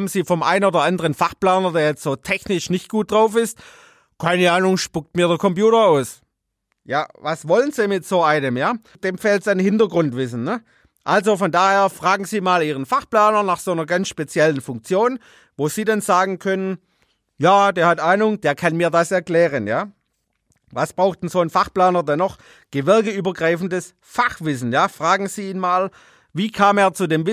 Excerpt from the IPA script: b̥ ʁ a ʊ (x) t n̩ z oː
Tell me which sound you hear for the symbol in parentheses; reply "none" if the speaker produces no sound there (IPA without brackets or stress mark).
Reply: x